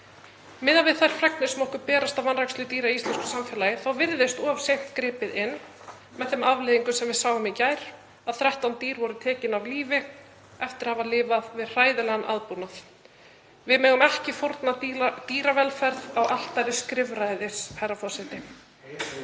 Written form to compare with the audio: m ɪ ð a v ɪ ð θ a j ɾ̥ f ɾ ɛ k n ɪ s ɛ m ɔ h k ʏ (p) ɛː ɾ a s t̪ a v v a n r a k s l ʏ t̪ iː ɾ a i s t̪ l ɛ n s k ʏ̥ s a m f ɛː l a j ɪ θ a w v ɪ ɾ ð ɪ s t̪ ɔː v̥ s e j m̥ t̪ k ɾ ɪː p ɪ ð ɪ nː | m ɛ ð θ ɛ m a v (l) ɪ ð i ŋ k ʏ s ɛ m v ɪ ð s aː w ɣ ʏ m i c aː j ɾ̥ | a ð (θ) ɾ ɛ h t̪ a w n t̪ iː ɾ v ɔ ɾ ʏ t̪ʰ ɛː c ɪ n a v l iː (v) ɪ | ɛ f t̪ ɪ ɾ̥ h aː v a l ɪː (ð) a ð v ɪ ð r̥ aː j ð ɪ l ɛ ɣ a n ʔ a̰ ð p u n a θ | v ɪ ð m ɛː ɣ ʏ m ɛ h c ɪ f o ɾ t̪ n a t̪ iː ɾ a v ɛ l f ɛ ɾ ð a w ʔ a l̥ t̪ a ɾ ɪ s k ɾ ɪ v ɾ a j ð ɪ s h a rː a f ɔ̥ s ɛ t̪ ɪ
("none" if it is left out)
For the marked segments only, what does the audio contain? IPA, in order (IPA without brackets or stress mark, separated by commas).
p, l, θ, v, v